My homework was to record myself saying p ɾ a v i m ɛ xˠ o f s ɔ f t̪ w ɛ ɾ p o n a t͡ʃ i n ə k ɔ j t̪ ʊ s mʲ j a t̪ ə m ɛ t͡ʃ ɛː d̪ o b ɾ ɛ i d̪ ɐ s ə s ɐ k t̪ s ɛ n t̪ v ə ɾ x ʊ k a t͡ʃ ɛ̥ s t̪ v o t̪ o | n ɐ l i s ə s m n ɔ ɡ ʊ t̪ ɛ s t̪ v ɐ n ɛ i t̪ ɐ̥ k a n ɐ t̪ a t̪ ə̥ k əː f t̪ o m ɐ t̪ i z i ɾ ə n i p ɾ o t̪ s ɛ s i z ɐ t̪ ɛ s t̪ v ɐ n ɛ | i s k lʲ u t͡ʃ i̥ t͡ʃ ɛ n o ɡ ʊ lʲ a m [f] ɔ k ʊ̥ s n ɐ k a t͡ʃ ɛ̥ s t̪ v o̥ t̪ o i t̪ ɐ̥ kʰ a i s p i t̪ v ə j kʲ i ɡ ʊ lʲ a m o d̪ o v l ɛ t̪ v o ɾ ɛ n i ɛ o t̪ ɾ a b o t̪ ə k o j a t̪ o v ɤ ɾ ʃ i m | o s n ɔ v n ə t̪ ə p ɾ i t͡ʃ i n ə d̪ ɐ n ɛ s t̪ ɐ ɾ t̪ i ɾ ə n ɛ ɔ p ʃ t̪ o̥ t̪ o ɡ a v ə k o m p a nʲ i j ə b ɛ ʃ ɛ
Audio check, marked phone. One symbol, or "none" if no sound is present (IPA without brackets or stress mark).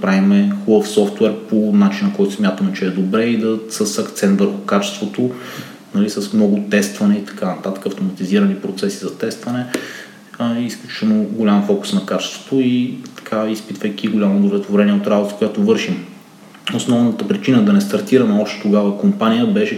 f